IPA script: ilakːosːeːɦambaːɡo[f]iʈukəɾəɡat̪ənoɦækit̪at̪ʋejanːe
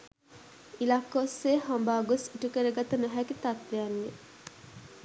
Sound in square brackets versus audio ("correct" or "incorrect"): incorrect